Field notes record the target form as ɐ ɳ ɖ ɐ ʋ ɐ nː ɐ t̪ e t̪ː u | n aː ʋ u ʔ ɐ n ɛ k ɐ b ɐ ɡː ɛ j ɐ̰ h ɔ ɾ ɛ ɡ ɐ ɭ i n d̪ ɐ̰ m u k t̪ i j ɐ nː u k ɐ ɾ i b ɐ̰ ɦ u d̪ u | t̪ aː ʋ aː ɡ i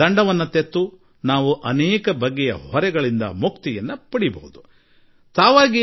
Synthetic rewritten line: ɐ ɳ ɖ ɐ ʋ ɐ nː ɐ t̪ e t̪ː u | n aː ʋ u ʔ ɐ n ɛː k ɐ b ɐ ɡː ɛ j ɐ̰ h ɔ ɾ ɛ ɡ ɐ ɭ i n d̪ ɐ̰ m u k t̪ i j ɐ nː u p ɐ ɽ i b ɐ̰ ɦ u d̪ u | t̪ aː ʋ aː ɡ i